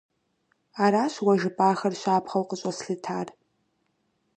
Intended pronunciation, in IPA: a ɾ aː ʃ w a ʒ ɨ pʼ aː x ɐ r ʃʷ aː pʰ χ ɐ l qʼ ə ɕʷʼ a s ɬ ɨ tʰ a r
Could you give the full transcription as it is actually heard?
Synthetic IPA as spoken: a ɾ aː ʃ w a ʒ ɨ pʼ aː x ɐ r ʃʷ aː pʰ χ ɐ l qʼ ə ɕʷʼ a s ɬ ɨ tʰ a r

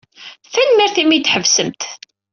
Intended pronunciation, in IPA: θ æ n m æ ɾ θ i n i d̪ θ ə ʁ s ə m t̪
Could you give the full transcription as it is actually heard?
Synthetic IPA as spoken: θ æ n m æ ɾ θ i m i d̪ ħ ə v s ə m t̪

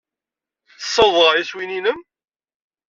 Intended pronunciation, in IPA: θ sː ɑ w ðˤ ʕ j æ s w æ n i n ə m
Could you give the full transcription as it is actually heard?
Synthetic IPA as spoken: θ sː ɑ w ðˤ ʁ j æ s w i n i n ə m

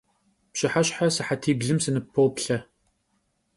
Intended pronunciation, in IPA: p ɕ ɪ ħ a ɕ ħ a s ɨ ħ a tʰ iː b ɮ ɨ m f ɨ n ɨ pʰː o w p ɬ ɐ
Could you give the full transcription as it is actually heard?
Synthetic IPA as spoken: p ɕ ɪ ħ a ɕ ħ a s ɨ ħ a tʰ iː b ɮ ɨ m s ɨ n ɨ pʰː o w p ɬ ɐ

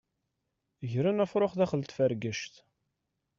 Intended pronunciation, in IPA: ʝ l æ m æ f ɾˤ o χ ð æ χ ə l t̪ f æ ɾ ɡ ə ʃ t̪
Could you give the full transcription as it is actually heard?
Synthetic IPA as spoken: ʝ ɾ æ n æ f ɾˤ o χ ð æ χ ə l t̪ f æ ɾ ɡ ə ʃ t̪

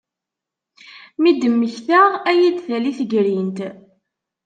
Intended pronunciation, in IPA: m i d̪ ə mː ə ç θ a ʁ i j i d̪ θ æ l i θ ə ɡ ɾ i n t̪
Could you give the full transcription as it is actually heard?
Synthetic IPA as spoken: m i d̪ ə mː ə ç θ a ʁ æ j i d̪ θ æ l i θ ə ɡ ɾ i n t̪

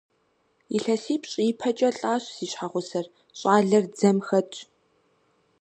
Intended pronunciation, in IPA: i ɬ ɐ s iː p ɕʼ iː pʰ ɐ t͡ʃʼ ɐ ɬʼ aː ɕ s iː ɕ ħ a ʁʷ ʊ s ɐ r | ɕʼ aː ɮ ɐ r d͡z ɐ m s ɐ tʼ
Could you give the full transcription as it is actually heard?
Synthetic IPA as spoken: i ɬ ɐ s iː p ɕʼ iː pʰ ɐ t͡ʃʼ ɐ ɬʼ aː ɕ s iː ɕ ħ a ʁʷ ʊ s ɐ r | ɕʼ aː ɮ ɐ r d͡z ɐ m x ɐ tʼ

